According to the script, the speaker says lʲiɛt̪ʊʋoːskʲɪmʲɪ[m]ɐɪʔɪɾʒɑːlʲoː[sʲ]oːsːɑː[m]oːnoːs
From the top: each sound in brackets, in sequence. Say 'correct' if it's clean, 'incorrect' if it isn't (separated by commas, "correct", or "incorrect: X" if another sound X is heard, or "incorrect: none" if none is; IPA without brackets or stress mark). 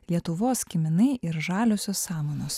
incorrect: n, correct, correct